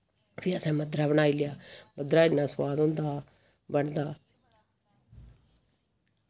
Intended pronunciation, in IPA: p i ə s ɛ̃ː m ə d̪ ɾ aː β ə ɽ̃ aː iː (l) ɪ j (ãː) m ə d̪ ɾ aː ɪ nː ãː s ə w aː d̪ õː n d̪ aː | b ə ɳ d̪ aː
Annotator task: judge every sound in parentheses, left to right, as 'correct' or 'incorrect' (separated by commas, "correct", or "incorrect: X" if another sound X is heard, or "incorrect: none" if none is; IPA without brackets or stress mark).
correct, incorrect: aː